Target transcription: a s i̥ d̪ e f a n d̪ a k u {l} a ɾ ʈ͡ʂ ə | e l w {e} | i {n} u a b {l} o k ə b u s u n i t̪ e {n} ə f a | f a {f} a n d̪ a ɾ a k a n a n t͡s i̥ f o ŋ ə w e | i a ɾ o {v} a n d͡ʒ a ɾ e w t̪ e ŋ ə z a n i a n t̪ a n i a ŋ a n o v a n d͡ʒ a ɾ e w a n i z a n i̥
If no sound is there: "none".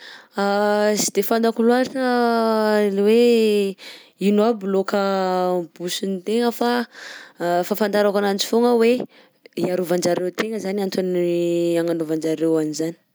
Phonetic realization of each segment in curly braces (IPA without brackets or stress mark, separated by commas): l, e, n, l, ŋ, f, v